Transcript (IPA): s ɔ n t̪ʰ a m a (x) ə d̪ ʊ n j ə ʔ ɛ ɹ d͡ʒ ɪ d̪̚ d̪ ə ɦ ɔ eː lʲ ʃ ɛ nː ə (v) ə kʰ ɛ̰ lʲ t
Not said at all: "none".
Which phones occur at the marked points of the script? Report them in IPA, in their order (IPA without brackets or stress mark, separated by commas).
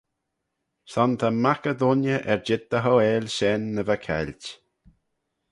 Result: k, v